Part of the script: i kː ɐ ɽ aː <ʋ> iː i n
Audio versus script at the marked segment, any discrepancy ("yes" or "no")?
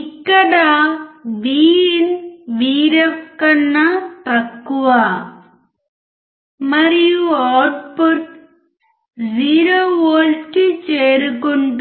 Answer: no